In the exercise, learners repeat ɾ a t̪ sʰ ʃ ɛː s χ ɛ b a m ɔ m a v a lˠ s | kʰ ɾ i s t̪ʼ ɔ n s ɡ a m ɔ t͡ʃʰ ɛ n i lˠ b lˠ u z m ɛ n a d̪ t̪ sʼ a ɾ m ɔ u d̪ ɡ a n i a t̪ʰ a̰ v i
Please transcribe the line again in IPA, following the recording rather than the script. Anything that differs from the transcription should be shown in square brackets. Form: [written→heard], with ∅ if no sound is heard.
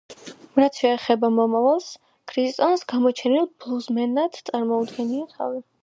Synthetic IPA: ɾ a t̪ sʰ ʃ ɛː [s→∅] χ ɛ b a m ɔ m a v a lˠ s | kʰ ɾ i s t̪ʼ ɔ n s ɡ a m ɔ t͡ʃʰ ɛ n i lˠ b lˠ u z m ɛ n a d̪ t̪ sʼ a ɾ m ɔ u d̪ ɡ [a→ɛ] n i a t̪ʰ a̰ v i